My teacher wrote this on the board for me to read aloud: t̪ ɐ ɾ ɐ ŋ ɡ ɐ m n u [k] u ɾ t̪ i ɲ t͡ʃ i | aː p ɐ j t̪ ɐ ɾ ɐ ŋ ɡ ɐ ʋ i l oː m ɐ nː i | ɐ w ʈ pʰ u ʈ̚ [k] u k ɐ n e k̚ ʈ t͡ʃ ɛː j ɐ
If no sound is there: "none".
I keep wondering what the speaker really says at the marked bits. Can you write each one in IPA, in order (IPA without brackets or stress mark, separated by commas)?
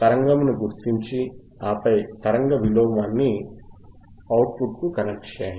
ɡ, k